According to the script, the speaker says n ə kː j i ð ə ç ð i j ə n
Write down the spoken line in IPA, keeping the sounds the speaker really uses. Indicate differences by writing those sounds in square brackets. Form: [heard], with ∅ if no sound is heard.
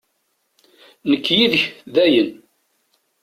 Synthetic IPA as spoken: n ə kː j i ð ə ç ð [æ] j ə n